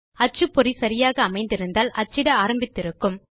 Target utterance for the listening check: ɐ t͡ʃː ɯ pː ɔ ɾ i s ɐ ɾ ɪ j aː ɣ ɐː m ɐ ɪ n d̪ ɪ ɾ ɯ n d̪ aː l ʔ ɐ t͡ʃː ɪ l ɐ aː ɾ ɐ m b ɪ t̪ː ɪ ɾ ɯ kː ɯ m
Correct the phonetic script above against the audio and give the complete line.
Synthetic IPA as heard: ɐ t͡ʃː ɯ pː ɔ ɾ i s ɐ ɾ ɪ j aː ɣ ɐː m ɐ ɪ n d̪ ɪ ɾ ɯ n d̪ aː l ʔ ɐ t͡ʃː ɪ ɽ ɐ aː ɾ ɐ m b ɪ t̪ː ɪ ɾ ɯ kː ɯ m

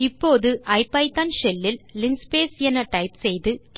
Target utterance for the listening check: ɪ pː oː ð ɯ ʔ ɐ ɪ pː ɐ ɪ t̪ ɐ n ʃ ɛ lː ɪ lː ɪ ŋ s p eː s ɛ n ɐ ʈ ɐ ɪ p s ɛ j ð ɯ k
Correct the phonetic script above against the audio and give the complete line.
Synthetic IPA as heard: ɪ pː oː ð ɯ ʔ ɐ ɪ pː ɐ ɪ t̪ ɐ n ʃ ɛ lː ɪ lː ɪ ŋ s p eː s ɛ n ɐ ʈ ɐ ɪ p s ɛ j ð ɯ k

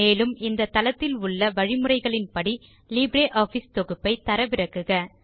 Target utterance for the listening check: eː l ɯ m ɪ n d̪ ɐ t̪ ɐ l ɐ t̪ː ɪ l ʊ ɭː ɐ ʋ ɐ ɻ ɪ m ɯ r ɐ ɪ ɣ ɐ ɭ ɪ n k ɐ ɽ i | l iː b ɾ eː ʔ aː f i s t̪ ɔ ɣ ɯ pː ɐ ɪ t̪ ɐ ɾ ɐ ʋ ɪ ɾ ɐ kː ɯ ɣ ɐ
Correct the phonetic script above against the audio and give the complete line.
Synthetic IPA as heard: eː l ɯ m ɪ n d̪ ɐ t̪ ɐ l ɐ t̪ː ɪ l ʊ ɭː ɐ ʋ ɐ ɻ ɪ m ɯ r ɐ ɪ ɣ ɐ ɭ ɪ n p ɐ ɽ i | l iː b ɾ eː ʔ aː f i s t̪ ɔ ɣ ɯ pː ɐ ɪ t̪ ɐ ɾ ɐ ʋ ɪ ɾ ɐ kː ɯ ɣ ɐ

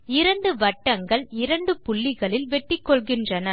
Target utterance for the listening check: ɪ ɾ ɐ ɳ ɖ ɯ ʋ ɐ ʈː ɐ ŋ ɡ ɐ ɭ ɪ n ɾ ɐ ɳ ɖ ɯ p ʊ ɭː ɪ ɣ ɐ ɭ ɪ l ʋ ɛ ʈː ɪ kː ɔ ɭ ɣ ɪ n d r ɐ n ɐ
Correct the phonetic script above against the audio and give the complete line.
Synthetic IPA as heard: ɪ ɾ ɐ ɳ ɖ ɯ ʋ ɐ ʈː ɐ ŋ ɡ ɐ ɭ ɪ ɾ ɐ ɳ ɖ ɯ p ʊ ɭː ɪ ɣ ɐ ɭ ɪ l ʋ ɛ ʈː ɪ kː ɔ ɭ ɣ ɪ n d r ɐ n ɐ

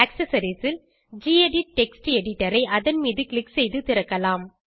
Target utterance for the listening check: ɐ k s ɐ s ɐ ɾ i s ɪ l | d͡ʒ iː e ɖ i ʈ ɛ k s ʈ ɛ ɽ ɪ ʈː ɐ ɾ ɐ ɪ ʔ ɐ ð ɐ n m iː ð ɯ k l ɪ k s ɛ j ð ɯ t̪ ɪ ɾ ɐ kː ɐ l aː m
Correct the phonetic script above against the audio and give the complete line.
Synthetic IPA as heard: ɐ k s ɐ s ɐ ɾ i s ɪ l | d͡ʒ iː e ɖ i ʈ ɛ k s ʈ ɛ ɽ ɪ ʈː ɐ ɾ ɐ ɪ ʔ ɐ ð ɐ n m iː ð ɯ k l ɪ k s ɛ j ð ɯ t̪ ɪ ɾ ɐ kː ɐ l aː m

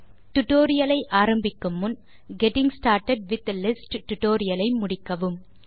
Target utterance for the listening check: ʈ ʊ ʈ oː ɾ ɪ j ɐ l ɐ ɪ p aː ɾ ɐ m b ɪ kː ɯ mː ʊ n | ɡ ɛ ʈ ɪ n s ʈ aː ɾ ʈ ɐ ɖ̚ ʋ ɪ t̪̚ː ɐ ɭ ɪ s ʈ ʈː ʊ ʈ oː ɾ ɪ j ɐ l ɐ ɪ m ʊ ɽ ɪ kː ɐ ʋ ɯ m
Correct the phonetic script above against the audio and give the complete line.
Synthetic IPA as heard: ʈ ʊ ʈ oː ɾ ɪ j ɐ l ɐ ɪ ʔ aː ɾ ɐ m b ɪ kː ɯ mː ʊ n | ɡ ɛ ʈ ɪ ŋ s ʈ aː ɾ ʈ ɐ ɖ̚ ʋ ɪ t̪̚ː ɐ l ɪ s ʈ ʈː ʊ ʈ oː ɾ ɪ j ɐ l ɐ ɪ m ʊ ɽ ɪ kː ɐ ʋ ɯ m

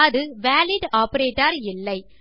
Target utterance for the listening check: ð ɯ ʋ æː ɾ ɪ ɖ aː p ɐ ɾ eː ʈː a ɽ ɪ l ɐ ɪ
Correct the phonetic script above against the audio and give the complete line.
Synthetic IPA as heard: ð ɯ ʋ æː l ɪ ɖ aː p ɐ ɾ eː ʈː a ɾ ɪ lː ɐ ɪ

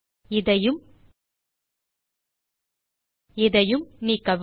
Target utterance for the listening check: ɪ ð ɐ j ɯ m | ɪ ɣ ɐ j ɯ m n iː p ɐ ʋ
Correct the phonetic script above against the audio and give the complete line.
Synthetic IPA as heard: ɪ ð ɐ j ɯ m | ɪ ð ɐ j ɯ m n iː k ɐ ʋ

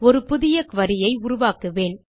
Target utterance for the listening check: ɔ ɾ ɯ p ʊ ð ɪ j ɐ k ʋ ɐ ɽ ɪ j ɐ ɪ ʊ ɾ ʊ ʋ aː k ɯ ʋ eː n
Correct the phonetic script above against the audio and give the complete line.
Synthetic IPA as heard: ɔ ɾ ɯ p ʊ ð ɪ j ɐ k ʋ ɐ ɾ ɪ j ɐ ɪ ʊ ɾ ʊ ʋ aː k ɯ ʋ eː n

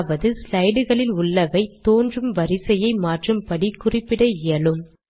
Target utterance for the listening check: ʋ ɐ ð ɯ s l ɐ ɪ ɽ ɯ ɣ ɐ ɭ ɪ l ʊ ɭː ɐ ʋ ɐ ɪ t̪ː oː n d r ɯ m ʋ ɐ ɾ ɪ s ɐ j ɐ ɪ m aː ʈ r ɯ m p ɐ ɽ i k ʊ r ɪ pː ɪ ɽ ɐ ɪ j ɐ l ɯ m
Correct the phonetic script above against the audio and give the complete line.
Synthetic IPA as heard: ʋ ɐ ð ɯ s l ɐ ɪ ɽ ɯ ɣ ɐ ɭ ɪ l ʊ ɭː ɐ ʋ ɐ ɪ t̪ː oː n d r ɯ m ʋ ɐ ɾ ɪ s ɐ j ɐ ɪ m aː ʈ r ɯ m p ɐ ɽ i k ʊ r ɪ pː ɪ ɽ ɐ ɪ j ɐ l ɯ m

